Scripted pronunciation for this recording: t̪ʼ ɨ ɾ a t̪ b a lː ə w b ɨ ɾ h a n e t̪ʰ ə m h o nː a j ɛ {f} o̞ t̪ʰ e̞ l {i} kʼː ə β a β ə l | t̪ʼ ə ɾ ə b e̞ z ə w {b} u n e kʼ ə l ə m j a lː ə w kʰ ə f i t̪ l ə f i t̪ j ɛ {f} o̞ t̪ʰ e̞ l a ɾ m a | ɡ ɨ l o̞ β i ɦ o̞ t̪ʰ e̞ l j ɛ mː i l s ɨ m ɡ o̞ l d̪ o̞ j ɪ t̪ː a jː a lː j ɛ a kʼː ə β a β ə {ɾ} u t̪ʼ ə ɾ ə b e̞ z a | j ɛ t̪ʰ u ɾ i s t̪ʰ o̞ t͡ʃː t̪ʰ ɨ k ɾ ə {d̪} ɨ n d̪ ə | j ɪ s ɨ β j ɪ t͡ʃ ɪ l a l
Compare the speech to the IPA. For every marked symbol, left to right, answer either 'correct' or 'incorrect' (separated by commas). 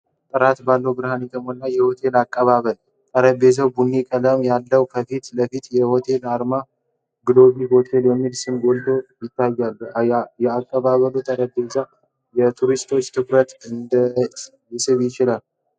incorrect, incorrect, correct, incorrect, incorrect, incorrect